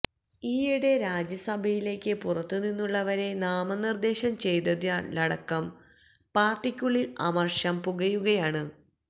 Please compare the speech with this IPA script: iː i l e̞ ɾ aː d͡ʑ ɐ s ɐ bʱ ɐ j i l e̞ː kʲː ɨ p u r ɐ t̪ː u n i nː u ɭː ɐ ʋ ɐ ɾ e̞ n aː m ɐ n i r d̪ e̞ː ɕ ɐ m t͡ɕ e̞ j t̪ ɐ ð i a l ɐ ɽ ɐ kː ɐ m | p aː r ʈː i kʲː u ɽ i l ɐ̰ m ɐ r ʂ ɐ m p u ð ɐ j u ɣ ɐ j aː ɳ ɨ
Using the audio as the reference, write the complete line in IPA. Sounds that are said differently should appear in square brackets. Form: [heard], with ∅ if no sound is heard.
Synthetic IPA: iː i [ɽ] e̞ ɾ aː d͡ʑ ɐ s ɐ bʱ ɐ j i l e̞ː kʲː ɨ p u r ɐ t̪ː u n i nː u ɭː ɐ ʋ ɐ ɾ e̞ n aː m ɐ n i r d̪ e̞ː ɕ ɐ m t͡ɕ e̞ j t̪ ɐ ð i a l ɐ ɽ ɐ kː ɐ m | p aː r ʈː i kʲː u [ɭ] i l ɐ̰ m ɐ r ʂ ɐ m p u [ɣ] ɐ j u ɣ ɐ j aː ɳ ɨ